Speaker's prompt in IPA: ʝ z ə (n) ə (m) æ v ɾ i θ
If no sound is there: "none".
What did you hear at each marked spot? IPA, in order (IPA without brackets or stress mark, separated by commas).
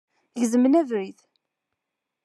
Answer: m, n